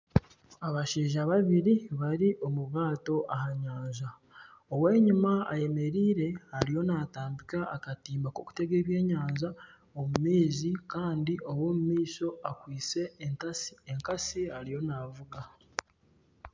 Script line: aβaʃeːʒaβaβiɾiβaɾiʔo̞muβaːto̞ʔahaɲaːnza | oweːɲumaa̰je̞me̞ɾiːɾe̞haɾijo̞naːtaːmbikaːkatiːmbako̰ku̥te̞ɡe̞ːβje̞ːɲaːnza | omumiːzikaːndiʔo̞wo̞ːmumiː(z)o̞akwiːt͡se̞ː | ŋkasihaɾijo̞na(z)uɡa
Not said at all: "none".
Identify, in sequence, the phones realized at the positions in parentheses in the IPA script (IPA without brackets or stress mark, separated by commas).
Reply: s, v